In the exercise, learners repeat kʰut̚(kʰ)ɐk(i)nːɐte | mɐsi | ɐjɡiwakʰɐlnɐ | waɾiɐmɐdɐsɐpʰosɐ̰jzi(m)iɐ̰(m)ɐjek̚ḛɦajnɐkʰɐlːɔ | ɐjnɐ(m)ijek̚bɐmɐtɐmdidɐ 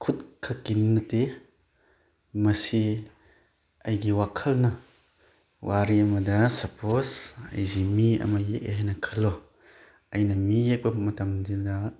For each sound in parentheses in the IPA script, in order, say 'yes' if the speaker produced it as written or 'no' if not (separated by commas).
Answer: yes, yes, yes, yes, yes